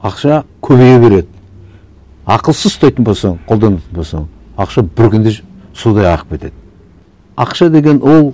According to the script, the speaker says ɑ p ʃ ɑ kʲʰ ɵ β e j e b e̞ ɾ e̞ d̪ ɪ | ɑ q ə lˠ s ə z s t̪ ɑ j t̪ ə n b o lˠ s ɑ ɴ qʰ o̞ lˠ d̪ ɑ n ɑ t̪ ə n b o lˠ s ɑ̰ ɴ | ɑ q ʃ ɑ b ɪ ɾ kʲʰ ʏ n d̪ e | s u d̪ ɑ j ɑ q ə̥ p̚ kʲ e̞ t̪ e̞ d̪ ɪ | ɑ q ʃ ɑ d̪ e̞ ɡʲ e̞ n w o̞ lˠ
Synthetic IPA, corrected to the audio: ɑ q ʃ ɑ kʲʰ ɵ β e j e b e̞ ɾ e̞ d̪ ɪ | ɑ q ə lˠ s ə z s t̪ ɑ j t̪ ə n b o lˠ s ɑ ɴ qʰ o̞ lˠ d̪ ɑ n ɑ t̪ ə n b o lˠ s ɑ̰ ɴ | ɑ q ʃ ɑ b ɪ ɾ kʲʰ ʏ n d̪ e | s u d̪ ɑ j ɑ q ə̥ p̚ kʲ e̞ t̪ e̞ d̪ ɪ | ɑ q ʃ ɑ d̪ e̞ ɡʲ e̞ n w o̞ lˠ